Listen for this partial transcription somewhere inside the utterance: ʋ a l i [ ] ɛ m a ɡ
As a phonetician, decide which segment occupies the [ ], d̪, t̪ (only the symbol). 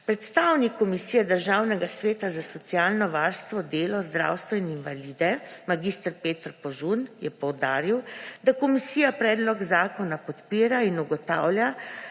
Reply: d̪